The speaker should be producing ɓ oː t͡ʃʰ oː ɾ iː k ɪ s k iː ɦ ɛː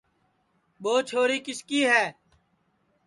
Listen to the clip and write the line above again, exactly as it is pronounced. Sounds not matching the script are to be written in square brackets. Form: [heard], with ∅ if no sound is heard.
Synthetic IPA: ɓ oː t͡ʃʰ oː ɾ iː k ɪ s k iː ɦ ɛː

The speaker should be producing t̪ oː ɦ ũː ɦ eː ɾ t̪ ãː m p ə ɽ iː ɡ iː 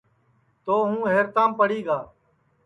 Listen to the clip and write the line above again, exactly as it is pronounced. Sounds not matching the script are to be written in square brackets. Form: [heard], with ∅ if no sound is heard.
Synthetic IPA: t̪ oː ɦ ũː ɦ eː ɾ t̪ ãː m p ə ɽ iː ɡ [aː]

